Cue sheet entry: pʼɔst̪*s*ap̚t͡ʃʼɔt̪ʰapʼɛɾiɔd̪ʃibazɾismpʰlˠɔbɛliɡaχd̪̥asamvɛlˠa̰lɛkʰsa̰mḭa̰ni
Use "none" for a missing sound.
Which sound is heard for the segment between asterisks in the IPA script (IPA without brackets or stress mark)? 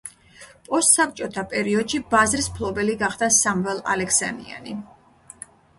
s